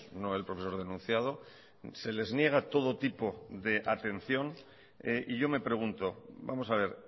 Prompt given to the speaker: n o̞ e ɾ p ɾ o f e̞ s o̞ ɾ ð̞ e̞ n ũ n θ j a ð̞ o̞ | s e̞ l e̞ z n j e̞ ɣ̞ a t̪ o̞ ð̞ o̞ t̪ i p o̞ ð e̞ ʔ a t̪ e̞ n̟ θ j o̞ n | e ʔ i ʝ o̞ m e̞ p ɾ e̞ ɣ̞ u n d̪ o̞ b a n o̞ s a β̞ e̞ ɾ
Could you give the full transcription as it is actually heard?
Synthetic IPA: n o̞ e l p ɾ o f e̞ s o̞ ɾ ð̞ e̞ n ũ n θ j a ð̞ o̞ | s e̞ l e̞ z n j e̞ ɣ̞ a t̪ o̞ ð̞ o̞ t̪ i p o̞ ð e̞ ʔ a t̪ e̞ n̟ θ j o̞ n | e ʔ i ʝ o̞ m e̞ p ɾ e̞ ɣ̞ u n t̪ o̞ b a m o̞ s a β̞ e̞ ɾ

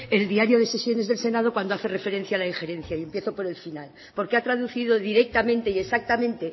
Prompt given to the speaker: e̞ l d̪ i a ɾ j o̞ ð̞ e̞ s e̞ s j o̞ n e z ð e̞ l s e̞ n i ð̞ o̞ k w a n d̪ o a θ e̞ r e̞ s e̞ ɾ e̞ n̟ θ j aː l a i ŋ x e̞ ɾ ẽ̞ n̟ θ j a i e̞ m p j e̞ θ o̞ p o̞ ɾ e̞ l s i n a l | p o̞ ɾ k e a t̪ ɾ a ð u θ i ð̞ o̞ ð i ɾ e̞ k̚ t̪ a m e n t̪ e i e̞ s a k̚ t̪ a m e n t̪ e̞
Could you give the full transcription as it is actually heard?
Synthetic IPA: e̞ l d̪ i a ɾ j o̞ ð̞ e̞ s e̞ s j o̞ n e z ð e̞ l s e̞ n a ð̞ o̞ k w a n d̪ o a θ e̞ r e̞ f e̞ ɾ e̞ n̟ θ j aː l a i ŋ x e̞ ɾ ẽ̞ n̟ θ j a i e̞ m p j e̞ θ o̞ p o̞ ɾ e̞ l f i n a l | p o̞ ɾ k e a t̪ ɾ a ð u θ i ð̞ o̞ ð i ɾ e̞ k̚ t̪ a m ẽ n t̪ e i e̞ s a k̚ t̪ a m ẽ n t̪ e̞

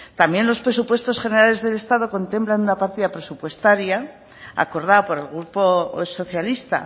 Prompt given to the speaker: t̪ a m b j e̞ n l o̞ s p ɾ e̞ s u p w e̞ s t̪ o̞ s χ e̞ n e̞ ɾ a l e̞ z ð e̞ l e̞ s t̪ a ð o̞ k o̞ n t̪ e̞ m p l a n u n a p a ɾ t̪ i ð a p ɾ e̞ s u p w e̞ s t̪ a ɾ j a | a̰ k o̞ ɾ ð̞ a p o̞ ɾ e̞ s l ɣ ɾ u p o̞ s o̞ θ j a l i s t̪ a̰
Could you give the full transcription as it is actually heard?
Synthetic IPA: t̪ a m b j e̞ n l o̞ s p ɾ e̞ s u p w e̞ s t̪ o̞ s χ e̞ n e̞ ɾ a l e̞ z ð e̞ l e̞ s t̪ a ð o̞ k o̞ n t̪ e̞ m p l a n u n a p a ɾ t̪ i ð a p ɾ e̞ s u p w e̞ s t̪ a ɾ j a | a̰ k o̞ ɾ ð̞ a p o̞ ɾ e̞ l ɣ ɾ u p o̞ s o̞ θ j a l i s t̪ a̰

